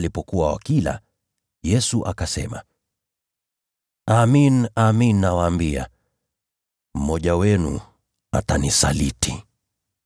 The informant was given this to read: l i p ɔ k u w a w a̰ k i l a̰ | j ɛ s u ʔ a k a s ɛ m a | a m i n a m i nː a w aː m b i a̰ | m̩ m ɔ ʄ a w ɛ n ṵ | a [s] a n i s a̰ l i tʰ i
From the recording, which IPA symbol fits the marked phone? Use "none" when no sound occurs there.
t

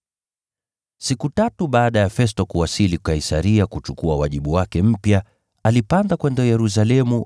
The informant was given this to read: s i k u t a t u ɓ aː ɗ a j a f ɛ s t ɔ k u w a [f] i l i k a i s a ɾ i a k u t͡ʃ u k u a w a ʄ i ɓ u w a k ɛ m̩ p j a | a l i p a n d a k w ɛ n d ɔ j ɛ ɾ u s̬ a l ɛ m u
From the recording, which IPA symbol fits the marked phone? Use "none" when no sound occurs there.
s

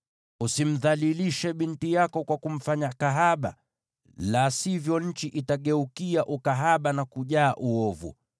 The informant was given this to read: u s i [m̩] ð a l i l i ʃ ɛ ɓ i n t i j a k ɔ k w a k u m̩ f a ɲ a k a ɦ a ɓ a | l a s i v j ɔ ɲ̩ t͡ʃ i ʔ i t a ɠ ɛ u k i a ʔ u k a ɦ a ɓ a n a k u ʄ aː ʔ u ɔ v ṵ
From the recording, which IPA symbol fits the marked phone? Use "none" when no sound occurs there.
m̩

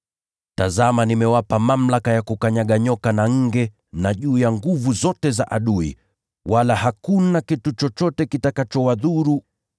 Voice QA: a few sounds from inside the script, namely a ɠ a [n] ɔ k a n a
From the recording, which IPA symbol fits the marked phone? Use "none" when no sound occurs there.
ɲ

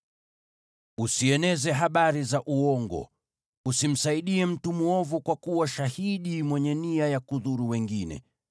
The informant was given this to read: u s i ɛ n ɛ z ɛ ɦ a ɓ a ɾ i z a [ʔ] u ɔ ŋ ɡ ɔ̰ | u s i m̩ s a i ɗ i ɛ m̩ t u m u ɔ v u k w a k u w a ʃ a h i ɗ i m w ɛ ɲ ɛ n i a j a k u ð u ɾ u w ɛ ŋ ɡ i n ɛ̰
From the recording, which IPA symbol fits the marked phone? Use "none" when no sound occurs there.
ʔ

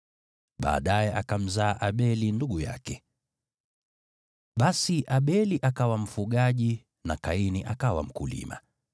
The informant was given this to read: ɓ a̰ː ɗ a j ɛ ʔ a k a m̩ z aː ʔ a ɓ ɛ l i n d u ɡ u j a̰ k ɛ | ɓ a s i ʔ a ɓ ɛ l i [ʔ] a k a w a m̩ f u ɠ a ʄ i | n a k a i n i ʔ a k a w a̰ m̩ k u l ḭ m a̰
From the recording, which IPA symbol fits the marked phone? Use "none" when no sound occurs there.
ʔ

